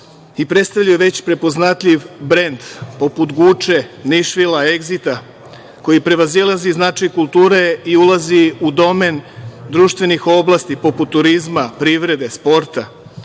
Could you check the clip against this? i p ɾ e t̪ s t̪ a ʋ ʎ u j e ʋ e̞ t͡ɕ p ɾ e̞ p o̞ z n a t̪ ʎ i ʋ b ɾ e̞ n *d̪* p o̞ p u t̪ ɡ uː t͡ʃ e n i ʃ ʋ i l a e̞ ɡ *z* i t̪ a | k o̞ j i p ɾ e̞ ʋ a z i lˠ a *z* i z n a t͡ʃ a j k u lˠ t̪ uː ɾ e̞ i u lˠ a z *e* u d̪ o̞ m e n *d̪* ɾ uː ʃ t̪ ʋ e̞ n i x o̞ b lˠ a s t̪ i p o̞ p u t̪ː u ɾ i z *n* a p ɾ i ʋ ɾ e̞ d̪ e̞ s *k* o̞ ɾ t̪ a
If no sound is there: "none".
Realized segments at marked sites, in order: d̪, z, z, i, d̪, m, p

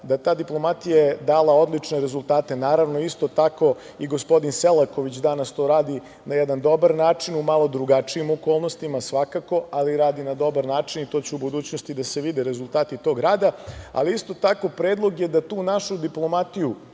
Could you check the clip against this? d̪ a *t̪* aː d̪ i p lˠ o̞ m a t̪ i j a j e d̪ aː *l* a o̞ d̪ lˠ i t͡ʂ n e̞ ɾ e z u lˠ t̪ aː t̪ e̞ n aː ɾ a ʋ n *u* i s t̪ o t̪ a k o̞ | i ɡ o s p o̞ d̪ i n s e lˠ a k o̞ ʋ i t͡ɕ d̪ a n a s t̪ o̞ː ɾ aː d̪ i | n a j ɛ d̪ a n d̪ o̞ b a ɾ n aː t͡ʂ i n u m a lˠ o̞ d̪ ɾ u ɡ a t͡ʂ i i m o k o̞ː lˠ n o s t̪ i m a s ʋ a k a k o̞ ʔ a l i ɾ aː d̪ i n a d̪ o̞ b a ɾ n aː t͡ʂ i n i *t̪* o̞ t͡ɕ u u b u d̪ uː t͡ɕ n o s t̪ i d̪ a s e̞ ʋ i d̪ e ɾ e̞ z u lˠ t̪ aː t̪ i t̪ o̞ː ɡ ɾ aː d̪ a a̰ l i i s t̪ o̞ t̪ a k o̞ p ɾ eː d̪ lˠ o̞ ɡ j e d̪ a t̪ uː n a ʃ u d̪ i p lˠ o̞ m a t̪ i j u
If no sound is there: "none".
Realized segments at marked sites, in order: t̪, l, o, t̪

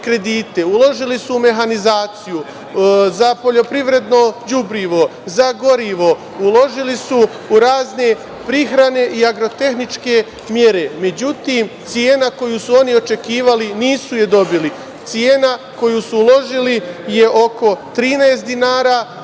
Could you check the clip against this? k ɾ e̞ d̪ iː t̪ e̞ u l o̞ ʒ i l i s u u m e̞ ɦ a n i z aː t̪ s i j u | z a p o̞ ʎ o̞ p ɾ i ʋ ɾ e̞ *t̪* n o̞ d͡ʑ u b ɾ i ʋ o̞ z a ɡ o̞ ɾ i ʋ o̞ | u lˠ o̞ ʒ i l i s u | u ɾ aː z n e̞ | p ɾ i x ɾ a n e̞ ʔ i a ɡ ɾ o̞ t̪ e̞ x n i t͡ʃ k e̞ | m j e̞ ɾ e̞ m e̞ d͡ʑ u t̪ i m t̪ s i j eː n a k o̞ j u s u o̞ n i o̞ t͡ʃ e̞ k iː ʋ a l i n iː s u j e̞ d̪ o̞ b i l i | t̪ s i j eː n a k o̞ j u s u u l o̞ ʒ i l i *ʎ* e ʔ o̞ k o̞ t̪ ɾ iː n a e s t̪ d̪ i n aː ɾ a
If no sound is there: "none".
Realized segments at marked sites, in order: d̪, j

